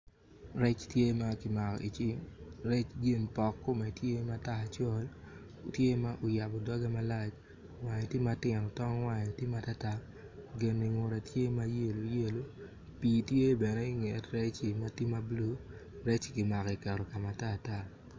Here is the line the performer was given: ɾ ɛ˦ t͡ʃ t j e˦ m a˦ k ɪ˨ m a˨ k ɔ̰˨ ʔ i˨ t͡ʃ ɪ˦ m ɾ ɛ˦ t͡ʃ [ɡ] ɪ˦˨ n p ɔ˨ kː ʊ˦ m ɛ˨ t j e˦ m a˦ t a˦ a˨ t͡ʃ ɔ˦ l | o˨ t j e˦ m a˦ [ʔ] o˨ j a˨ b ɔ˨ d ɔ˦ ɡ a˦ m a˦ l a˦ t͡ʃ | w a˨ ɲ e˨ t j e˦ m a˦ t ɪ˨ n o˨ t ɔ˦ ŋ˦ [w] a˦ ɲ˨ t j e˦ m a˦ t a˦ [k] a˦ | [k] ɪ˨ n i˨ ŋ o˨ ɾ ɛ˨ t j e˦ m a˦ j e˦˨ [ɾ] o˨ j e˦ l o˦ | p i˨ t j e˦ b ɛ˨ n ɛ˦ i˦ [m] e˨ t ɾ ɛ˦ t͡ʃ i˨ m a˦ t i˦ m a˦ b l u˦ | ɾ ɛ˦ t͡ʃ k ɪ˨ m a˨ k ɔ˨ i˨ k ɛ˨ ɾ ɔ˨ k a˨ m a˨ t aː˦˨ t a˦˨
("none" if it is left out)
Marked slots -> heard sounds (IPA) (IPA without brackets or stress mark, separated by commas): ɡ, ʔ, w, t, ɡ, l, ŋ